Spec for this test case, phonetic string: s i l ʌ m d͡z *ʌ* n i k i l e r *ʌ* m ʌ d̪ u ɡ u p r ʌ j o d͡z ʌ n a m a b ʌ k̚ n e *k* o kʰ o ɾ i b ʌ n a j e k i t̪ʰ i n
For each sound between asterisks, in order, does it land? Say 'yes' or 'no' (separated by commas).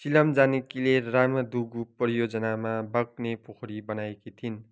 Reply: no, no, no